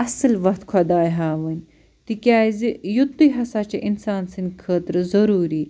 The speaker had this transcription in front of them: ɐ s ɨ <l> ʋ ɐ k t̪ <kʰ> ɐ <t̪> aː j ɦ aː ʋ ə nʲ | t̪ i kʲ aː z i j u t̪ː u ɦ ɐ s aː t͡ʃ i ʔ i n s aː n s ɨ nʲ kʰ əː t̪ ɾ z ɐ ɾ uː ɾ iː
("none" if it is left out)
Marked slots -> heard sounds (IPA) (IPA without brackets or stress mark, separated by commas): l, kʰ, d̪